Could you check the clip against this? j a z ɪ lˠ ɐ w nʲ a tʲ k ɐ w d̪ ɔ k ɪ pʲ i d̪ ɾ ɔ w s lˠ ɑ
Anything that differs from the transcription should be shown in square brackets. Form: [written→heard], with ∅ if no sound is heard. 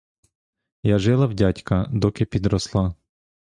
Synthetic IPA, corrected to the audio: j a [z→ʒ] ɪ lˠ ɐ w [nʲ→dʲ] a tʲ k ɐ [w→∅] d̪ ɔ k ɪ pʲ i d̪ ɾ ɔ [w→∅] s lˠ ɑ